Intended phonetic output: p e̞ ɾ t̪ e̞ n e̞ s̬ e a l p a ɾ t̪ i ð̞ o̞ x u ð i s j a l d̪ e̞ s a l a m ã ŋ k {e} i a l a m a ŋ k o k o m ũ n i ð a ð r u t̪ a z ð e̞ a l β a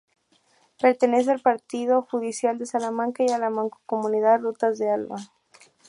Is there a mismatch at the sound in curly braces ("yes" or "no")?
yes